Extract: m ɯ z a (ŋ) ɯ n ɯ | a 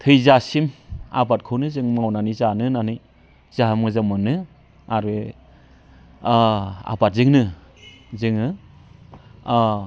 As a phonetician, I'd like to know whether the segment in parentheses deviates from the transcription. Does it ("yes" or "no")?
yes